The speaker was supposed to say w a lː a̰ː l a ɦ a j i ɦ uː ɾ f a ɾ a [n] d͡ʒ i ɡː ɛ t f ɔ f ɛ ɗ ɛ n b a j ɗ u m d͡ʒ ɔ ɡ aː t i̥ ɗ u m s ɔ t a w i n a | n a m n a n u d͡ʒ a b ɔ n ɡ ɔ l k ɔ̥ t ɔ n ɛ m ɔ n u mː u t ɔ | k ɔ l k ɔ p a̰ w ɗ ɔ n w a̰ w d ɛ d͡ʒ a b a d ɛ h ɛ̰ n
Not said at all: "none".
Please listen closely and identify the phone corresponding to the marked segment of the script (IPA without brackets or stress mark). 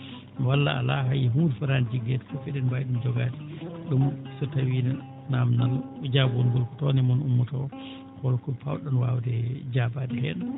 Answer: n